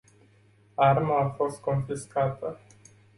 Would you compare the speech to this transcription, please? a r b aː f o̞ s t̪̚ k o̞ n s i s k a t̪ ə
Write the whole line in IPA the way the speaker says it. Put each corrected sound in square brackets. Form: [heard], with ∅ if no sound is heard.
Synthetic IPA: a r [m] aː f o̞ s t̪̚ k o̞ n [f] i s k a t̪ ə